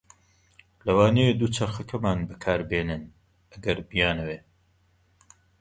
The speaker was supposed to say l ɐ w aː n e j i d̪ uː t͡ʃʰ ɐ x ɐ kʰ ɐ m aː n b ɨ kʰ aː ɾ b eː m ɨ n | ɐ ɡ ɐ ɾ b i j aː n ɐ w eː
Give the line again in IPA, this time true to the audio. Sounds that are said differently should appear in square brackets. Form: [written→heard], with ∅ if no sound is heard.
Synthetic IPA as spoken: l ɐ w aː n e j [i→e] d̪ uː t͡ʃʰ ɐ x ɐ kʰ ɐ m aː n b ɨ kʰ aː ɾ b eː [m→n] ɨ n | ɐ ɡ ɐ ɾ b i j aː n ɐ w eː